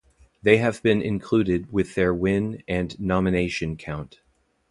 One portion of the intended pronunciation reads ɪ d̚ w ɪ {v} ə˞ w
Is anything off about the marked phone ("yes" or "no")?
yes